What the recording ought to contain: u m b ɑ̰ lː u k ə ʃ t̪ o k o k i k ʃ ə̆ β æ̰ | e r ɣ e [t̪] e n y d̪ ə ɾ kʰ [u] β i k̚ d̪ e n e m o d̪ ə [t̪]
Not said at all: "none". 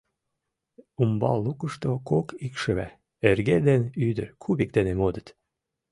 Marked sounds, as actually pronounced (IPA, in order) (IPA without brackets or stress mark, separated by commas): d̪, u, t̪